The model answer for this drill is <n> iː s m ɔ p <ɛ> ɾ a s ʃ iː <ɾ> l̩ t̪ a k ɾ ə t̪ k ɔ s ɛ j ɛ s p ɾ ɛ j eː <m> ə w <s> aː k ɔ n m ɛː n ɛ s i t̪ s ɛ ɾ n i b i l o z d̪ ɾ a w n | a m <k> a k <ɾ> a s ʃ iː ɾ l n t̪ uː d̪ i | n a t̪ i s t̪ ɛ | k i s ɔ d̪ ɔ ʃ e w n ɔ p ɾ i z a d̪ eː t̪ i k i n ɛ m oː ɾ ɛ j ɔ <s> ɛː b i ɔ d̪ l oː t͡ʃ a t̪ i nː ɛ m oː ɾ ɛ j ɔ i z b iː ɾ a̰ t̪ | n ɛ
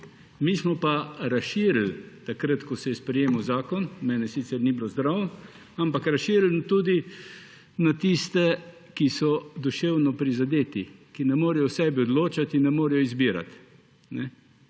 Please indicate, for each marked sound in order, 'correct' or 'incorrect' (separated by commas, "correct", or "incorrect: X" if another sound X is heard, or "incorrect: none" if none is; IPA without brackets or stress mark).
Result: incorrect: m, incorrect: a, correct, correct, incorrect: z, incorrect: p, correct, correct